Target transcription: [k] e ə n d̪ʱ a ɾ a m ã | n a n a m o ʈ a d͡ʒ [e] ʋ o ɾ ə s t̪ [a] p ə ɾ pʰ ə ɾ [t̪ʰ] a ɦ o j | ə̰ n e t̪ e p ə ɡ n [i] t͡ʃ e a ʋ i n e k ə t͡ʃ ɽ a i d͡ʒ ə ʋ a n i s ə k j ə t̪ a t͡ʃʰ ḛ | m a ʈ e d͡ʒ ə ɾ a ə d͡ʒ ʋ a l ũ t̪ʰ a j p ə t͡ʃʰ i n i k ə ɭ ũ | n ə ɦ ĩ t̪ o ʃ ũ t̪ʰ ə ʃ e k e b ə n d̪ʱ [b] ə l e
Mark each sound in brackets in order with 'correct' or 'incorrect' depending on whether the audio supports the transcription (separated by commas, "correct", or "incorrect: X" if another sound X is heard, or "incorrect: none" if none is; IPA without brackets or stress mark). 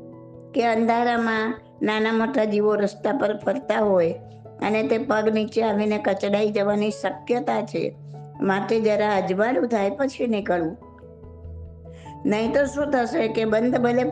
correct, incorrect: i, correct, incorrect: t̪, correct, correct